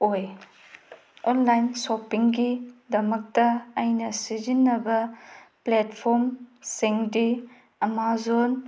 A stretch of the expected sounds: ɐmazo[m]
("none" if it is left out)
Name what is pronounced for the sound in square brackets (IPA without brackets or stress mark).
n